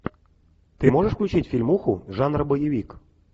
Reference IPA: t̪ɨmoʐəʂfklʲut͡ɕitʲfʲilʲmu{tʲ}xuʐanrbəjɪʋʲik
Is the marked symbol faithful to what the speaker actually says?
no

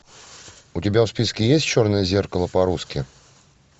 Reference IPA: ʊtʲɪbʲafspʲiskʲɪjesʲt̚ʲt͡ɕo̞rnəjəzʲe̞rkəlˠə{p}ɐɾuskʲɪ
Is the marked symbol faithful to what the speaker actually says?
yes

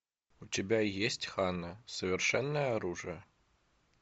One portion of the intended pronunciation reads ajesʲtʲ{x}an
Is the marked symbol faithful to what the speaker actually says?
yes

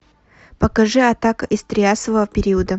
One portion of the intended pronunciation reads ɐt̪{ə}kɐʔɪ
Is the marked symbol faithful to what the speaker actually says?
no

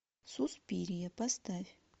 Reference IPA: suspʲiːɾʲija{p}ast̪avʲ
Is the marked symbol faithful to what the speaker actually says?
yes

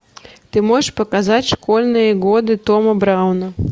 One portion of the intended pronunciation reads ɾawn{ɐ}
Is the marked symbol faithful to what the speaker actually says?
yes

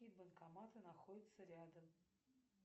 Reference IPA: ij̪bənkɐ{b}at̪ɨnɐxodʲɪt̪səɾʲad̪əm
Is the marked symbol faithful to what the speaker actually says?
no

